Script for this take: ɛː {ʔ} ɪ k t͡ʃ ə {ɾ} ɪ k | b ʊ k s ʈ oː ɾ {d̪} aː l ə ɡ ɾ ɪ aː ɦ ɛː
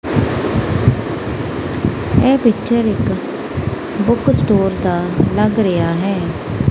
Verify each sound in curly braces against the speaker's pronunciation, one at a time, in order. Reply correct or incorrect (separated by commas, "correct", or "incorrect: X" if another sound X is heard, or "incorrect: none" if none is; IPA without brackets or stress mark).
incorrect: p, correct, correct